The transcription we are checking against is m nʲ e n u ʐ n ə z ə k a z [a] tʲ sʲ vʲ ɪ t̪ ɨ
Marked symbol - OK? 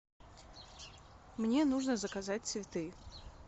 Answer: yes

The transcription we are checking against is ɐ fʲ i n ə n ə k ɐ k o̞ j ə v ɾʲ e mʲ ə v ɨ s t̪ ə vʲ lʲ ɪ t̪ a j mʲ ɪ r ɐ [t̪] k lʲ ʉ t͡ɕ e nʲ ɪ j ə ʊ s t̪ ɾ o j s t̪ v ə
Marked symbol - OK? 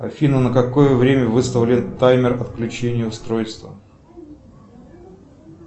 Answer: yes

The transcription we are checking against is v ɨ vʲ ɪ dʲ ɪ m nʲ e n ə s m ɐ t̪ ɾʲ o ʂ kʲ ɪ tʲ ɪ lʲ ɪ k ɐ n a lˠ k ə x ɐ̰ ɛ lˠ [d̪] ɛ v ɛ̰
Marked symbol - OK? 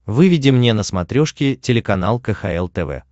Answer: no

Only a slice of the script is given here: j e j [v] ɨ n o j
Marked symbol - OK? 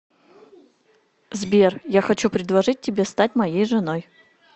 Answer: no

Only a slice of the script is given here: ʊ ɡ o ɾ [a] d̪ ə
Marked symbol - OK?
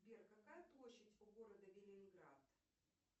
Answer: no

